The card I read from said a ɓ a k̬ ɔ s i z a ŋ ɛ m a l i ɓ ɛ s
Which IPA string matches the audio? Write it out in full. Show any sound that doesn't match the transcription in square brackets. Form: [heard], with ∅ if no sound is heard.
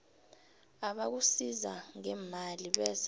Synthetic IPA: a ɓ a k̬ [u] s i z a ŋ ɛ m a l i ɓ ɛ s